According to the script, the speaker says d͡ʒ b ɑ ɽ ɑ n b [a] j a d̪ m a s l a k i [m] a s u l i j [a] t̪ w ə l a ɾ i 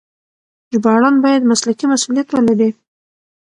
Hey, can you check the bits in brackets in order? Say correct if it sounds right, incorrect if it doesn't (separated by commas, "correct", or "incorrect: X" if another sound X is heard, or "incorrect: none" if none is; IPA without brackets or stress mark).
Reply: incorrect: ɑ, correct, correct